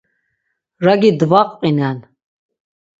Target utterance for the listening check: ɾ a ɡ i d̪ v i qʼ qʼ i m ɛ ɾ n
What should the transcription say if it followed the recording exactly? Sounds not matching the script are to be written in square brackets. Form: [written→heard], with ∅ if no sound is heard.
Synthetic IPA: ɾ a ɡ i d̪ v [i→a] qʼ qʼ i [m→n] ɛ [ɾ→∅] n